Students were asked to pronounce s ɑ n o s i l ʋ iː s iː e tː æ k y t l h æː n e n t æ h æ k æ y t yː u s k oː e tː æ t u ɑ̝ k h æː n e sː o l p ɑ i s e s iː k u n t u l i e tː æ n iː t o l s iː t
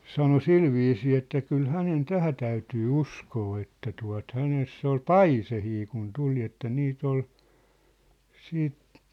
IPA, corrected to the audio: s ɑ n o s i l ʋ iː s iː e tː æ k y l h æ n e n t æ h æ t æ y t yː u s k oː e tː æ t u ɑ̝ t h æ n e sː o l p ɑ i s e h iː k u n t u l i e tː æ n iː t o l s iː t